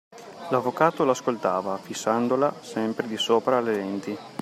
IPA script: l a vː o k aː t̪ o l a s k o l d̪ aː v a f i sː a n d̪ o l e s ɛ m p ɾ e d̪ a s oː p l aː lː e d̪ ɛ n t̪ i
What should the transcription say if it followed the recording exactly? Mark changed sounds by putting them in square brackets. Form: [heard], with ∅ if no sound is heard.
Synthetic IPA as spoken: l a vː o k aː t̪ o l a s k o l [t̪] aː v a f i sː a n d̪ o l [a] s ɛ m p ɾ e d̪ [i] s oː p [ɾ] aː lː e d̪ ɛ n t̪ i